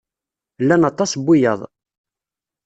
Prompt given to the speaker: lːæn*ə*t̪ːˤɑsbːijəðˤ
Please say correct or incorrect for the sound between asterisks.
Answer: incorrect